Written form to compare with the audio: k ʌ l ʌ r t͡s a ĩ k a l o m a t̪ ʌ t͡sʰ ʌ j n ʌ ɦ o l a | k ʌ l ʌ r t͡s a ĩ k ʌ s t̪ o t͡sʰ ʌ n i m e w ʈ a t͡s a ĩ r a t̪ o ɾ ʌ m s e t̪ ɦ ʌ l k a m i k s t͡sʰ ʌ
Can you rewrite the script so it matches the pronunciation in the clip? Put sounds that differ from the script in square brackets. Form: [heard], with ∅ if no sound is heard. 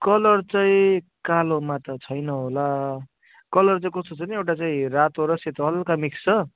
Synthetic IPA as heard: k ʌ l ʌ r t͡s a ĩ k a l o m a t̪ ʌ t͡sʰ ʌ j n ʌ ɦ o l a | k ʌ l ʌ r t͡s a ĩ k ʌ s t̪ o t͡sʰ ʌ n i [∅] e w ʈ a t͡s a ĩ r a t̪ o ɾ ʌ [∅] s e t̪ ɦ ʌ l k a m i k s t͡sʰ ʌ